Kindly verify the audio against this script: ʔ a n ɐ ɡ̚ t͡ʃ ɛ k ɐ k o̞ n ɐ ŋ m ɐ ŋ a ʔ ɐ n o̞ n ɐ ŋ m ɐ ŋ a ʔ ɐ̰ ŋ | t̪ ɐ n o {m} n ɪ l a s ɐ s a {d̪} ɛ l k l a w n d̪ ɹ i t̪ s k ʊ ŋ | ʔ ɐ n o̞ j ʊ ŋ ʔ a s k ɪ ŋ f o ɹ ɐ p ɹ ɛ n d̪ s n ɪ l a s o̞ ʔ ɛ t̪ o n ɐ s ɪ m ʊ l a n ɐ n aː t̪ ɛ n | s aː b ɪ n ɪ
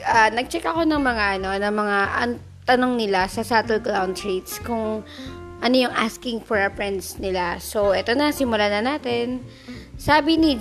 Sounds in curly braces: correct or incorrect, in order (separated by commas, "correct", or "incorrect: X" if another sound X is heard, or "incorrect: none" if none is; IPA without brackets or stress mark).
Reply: incorrect: ŋ, incorrect: t̪